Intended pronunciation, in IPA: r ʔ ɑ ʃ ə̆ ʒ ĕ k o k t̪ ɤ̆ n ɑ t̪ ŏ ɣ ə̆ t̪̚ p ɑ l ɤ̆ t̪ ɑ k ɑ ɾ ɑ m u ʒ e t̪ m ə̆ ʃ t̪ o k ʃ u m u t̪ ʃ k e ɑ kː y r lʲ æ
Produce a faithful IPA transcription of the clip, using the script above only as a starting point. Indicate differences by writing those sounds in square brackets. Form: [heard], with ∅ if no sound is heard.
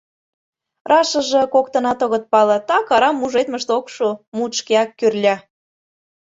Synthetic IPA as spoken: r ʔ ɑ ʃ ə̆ ʒ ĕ k o k t̪ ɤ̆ n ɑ t̪ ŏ ɣ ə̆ t̪̚ p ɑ l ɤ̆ t̪ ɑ k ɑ ɾ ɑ m u ʒ e t̪ m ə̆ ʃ t̪ o k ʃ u m u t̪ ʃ k e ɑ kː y r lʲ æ